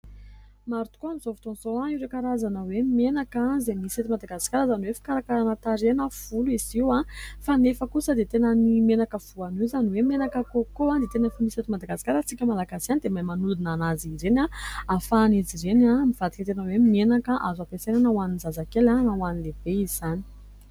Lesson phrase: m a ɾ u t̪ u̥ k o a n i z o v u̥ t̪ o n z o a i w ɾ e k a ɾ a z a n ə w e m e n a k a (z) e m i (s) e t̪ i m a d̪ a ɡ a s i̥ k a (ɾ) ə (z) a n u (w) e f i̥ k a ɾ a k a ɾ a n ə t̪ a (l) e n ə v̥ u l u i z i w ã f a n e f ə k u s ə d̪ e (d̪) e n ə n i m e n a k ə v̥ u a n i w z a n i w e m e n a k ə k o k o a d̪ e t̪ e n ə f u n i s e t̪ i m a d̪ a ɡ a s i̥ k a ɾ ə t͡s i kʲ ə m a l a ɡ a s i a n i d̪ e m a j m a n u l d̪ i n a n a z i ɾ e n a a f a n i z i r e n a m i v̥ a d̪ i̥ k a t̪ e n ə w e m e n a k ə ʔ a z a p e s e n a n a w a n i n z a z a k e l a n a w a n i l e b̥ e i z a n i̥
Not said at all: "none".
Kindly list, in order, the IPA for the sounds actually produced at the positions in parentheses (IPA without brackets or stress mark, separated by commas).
z, s, ɾ, z, w, ɾ, t̪